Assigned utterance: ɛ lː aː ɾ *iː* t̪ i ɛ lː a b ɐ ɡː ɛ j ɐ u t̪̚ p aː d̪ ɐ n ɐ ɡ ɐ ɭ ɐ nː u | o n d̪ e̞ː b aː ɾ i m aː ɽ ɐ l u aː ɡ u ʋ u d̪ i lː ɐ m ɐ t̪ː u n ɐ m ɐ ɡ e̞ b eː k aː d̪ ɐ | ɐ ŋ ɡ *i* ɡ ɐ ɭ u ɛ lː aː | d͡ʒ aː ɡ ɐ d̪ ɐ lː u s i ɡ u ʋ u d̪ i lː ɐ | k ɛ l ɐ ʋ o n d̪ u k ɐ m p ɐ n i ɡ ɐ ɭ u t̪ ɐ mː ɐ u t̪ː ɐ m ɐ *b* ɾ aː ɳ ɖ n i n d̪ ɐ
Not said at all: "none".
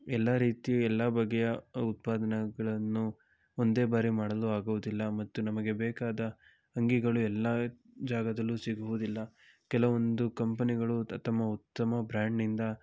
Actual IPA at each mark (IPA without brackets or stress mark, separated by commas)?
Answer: iː, i, b